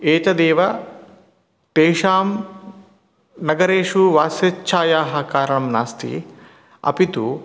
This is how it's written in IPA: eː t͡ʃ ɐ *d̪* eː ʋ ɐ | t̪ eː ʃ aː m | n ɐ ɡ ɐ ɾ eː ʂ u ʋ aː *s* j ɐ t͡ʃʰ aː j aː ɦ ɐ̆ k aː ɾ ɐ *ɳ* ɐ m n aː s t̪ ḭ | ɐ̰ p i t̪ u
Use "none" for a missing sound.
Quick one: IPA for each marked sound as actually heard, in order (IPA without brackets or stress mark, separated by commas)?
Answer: d̪, s, ɳ